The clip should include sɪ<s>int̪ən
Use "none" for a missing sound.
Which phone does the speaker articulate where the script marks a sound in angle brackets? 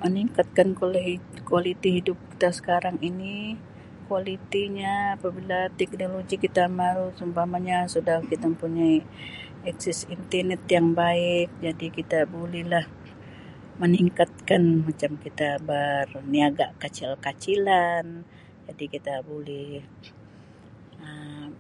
s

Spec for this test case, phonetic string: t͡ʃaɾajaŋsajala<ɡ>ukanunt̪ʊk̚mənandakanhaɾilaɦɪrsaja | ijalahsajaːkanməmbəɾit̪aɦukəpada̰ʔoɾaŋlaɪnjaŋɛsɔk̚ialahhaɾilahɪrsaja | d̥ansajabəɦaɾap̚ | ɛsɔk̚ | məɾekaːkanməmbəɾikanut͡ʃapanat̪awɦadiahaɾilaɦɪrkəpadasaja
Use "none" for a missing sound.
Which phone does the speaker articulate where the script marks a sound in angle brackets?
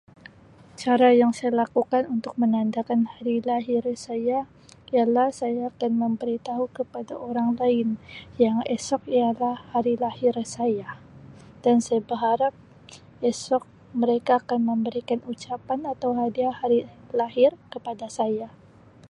k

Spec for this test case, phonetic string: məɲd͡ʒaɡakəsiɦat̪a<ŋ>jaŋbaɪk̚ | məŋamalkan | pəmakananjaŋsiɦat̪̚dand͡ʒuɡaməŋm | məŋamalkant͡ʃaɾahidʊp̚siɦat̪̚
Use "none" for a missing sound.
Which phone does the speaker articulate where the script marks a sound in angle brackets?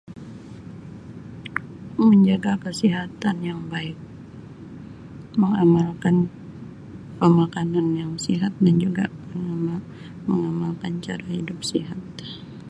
n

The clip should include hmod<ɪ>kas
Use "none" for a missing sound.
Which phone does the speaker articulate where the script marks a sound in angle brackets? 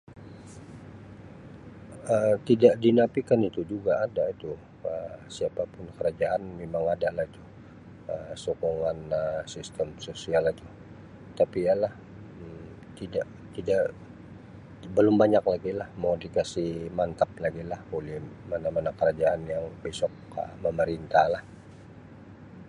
i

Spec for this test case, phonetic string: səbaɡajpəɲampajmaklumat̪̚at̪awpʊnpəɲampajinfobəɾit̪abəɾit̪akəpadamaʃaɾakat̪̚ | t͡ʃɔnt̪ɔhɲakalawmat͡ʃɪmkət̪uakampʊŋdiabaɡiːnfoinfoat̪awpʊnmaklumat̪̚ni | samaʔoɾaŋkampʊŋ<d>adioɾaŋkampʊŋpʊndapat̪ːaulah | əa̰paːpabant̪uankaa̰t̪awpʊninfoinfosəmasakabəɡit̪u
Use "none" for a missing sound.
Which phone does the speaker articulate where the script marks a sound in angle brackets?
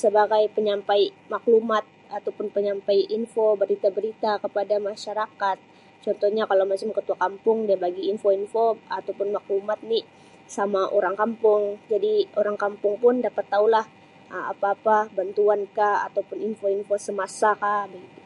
d͡ʒ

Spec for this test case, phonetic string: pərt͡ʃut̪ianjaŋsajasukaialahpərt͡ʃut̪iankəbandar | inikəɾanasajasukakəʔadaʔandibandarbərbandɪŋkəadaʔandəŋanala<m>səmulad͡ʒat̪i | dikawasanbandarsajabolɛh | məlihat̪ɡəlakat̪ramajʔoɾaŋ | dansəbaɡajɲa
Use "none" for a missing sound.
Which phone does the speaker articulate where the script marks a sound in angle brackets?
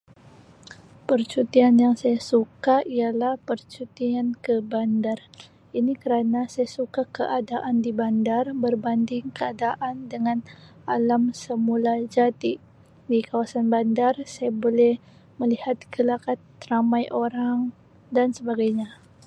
m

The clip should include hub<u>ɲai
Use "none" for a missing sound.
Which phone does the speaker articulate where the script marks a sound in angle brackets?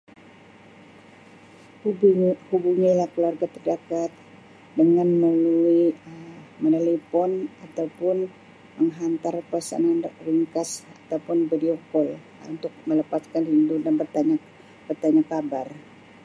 u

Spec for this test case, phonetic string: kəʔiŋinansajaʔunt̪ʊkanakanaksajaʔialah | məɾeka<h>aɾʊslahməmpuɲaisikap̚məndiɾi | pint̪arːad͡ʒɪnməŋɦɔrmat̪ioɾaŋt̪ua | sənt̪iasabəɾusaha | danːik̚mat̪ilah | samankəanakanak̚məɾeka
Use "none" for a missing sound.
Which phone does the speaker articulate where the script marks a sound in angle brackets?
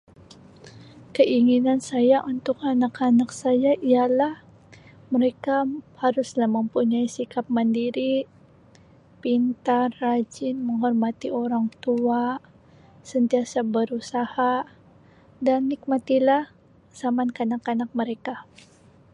h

